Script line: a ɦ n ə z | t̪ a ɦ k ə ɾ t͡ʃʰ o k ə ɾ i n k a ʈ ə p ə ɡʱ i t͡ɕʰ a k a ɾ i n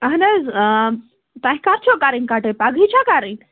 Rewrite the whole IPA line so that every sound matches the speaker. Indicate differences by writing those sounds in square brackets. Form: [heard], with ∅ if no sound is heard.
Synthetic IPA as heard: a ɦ n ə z | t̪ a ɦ k [a] ɾ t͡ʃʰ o k [a] ɾ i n k a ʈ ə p [a] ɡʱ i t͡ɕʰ a k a ɾ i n